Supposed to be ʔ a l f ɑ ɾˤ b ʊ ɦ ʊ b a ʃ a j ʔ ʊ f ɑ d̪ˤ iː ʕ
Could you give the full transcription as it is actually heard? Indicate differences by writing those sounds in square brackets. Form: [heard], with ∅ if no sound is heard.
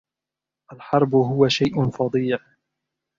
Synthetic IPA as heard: ʔ a l [ħ] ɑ ɾˤ b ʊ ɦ ʊ [w] a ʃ a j ʔ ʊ f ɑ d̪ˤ iː ʕ